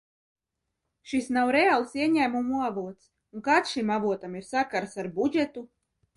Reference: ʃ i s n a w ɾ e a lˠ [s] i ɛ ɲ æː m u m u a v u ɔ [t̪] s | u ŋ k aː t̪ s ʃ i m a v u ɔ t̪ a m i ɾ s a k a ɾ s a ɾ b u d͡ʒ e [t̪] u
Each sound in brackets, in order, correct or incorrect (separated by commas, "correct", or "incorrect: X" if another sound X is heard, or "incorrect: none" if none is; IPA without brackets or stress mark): correct, correct, correct